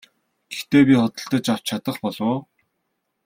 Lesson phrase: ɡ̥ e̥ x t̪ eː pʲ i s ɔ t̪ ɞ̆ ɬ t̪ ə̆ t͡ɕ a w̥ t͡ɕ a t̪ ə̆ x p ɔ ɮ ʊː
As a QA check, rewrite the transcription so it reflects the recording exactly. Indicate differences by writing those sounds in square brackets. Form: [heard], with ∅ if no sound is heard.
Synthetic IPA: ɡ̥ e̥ x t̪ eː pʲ i [χ] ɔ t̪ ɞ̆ ɬ t̪ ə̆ t͡ɕ a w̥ [t͡ɕʰ] a t̪ ə̆ [χ] p ɔ ɮ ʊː

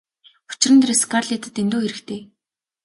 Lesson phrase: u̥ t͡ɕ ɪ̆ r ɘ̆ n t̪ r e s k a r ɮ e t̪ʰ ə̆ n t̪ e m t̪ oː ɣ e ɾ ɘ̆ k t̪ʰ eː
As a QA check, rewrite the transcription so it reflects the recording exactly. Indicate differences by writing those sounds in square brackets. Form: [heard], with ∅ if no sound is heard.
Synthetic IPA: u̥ t͡ɕ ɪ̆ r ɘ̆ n t̪ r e s k a r ɮ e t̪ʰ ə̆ [∅] t̪ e [n] t̪ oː [x] e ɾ ɘ̆ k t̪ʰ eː

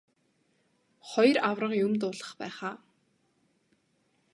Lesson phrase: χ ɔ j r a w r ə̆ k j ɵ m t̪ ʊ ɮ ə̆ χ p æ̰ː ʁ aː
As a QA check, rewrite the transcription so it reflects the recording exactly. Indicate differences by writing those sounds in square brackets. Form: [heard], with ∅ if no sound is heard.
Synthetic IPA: χ ɔ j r a w r ə̆ [q] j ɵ m t̪ [ʊː] ɮ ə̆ χ p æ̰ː [χ] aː

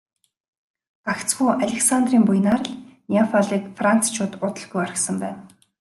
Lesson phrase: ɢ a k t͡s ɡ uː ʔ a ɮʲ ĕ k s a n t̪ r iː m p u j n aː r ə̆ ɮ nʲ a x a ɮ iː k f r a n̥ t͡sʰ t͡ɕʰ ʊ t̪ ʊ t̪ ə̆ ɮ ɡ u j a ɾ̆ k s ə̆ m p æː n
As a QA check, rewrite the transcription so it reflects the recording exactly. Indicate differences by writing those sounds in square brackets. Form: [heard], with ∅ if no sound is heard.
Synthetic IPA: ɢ a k t͡s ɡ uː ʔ a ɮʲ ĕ k s a n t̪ r iː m p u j n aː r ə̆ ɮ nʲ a [f] a ɮ iː k f r a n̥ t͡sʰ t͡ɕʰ [ʊː] t̪ ʊ t̪ ə̆ ɮ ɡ u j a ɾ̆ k s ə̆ m p æː n

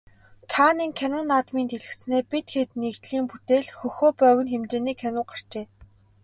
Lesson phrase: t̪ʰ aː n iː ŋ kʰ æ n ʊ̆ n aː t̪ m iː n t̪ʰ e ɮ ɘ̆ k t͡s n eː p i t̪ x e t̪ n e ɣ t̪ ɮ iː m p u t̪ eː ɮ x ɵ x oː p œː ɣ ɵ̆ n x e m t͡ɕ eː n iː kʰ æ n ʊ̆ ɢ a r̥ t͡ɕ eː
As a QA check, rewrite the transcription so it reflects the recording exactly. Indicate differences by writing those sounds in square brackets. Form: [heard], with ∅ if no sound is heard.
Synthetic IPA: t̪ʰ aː n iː ŋ kʰ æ n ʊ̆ n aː t̪ m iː n t̪ʰ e ɮ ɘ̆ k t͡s n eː p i t̪ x e t̪ n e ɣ t̪ ɮ iː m p u t̪ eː ɮ x ɵ x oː p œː ɣ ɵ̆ n x e m t͡ɕ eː n iː kʰ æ n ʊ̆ ɢ a r̥ t͡ɕ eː

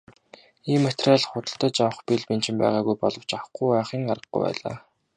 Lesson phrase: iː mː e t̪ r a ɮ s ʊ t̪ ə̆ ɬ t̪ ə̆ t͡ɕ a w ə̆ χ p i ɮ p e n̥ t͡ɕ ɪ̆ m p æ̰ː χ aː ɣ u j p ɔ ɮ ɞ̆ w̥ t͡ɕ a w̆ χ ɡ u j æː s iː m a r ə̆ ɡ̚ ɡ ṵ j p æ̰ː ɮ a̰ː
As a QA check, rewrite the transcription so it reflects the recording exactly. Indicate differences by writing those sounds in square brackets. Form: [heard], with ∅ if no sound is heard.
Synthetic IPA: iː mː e t̪ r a ɮ [χ] ʊ t̪ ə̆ ɬ t̪ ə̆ t͡ɕ a w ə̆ χ p i ɮ p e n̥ t͡ɕ ɪ̆ m p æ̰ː [ʁ] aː ɣ u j p ɔ ɮ ɞ̆ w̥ t͡ɕ a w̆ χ ɡ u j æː [χ] iː [ŋ] a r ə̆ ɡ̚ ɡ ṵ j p æ̰ː ɮ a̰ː

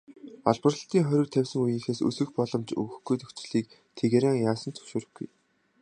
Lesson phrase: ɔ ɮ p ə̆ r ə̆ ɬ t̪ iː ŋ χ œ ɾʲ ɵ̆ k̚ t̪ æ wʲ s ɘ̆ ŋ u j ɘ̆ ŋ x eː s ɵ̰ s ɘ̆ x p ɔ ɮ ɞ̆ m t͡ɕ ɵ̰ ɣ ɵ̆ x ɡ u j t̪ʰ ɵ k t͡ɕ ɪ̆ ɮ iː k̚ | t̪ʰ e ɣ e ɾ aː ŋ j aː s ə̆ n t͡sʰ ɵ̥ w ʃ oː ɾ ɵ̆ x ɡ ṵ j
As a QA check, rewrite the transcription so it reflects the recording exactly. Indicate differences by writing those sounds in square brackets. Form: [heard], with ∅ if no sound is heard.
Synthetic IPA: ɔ ɮ p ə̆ r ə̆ ɬ t̪ iː ŋ χ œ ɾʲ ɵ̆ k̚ [t̪ʰ] æ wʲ s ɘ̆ ŋ u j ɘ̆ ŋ x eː s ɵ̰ s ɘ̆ x p ɔ ɮ ɞ̆ m t͡ɕ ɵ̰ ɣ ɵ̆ x ɡ u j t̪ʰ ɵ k t͡ɕ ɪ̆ ɮ iː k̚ | t̪ʰ e ɣ e ɾ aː ŋ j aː s ə̆ n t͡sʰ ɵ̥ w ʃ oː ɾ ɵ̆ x ɡ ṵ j

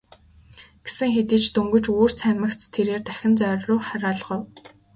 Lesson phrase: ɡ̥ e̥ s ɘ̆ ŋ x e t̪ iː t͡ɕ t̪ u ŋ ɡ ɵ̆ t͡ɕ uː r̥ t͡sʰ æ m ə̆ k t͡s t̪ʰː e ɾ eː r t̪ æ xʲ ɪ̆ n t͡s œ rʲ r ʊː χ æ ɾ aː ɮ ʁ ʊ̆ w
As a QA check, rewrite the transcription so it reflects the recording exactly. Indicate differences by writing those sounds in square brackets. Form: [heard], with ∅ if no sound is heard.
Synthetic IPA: ɡ̥ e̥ s ɘ̆ ŋ x e t̪ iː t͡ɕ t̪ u ŋ ɡ ɵ̆ t͡ɕ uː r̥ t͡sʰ æ m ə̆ k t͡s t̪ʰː e ɾ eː r t̪ æ xʲ ɪ̆ n t͡s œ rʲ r ʊː χ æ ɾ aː ɮ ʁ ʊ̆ w

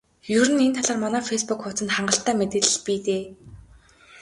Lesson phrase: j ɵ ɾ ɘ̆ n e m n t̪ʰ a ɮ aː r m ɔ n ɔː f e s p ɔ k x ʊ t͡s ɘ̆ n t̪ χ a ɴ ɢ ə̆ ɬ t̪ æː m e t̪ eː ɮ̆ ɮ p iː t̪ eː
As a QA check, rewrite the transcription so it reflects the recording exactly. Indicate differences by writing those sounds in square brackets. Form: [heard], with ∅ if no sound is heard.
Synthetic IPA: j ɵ ɾ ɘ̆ n e [∅] n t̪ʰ a ɮ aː r m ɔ n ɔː f e s p [u] k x ʊ t͡s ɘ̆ n t̪ χ a ɴ ɢ ə̆ ɬ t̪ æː m e t̪ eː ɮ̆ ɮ p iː t̪ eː

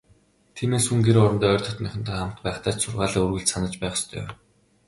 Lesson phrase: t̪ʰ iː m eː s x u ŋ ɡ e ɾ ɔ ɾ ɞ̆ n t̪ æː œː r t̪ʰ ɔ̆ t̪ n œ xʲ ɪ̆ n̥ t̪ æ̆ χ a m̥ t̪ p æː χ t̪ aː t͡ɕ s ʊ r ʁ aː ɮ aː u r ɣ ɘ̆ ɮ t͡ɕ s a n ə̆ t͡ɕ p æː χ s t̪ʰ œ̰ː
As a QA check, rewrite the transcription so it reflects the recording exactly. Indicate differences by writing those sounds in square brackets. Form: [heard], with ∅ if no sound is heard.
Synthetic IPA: t̪ʰ iː m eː s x u ŋ ɡ e ɾ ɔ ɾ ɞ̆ n t̪ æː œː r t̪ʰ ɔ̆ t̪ n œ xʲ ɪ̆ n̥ t̪ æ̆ χ a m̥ t̪ p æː χ t̪ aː t͡ɕ s ʊ r ʁ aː ɮ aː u r ɣ ɘ̆ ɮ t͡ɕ s a n ə̆ t͡ɕ p æː χ s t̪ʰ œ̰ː

